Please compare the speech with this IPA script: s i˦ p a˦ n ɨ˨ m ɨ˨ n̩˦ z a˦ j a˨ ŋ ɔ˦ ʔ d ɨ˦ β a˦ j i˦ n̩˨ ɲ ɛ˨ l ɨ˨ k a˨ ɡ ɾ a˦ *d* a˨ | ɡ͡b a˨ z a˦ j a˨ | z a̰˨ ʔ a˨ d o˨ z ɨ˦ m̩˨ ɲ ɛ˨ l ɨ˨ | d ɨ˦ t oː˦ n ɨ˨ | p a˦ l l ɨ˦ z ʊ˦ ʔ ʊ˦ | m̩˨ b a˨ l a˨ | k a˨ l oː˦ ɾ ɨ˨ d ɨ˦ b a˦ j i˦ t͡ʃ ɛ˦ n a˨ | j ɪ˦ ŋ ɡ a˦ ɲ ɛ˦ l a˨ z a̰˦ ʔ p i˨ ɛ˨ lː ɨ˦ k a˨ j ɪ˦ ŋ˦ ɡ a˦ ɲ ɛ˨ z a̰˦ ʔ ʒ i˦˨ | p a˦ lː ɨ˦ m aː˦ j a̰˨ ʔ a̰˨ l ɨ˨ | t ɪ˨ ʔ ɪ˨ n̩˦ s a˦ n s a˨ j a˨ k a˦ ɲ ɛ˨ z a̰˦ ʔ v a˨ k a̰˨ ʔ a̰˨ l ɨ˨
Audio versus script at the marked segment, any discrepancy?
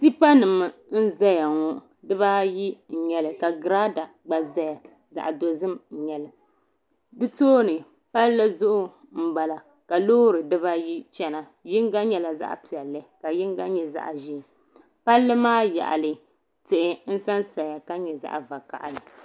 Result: no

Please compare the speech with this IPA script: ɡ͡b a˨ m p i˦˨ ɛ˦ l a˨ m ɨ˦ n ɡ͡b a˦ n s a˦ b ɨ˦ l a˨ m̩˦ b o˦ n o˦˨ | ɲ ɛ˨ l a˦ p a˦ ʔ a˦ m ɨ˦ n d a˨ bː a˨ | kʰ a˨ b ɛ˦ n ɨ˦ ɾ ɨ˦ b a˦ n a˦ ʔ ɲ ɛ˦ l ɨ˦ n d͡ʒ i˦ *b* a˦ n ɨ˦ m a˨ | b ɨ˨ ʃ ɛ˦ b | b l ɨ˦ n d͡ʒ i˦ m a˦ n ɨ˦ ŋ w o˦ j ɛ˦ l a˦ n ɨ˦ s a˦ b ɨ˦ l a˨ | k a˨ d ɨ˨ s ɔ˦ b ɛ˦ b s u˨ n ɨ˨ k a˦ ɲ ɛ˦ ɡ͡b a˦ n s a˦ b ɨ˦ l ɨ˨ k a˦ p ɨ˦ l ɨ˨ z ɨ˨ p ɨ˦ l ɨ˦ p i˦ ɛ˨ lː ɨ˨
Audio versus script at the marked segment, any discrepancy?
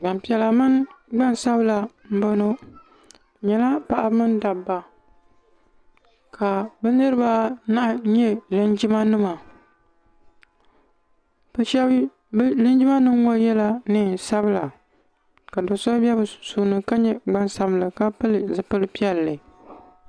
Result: yes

